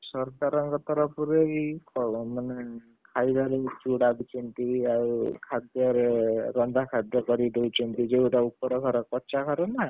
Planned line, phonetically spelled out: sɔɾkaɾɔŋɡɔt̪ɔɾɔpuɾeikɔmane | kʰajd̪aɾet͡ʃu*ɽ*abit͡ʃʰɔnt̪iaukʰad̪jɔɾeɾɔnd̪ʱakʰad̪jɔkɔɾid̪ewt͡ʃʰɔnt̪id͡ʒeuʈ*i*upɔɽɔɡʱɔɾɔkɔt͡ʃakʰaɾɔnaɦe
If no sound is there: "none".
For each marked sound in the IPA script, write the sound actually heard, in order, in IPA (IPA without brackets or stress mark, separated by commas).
ɽ, a